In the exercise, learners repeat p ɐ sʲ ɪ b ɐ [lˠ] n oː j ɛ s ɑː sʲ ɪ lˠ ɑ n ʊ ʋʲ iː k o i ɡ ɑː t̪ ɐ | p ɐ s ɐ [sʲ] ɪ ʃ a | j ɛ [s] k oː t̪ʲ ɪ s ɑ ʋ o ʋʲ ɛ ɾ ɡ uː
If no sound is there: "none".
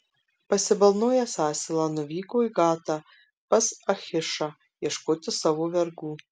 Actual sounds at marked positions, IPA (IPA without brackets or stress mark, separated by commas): lˠ, xʲ, ʃ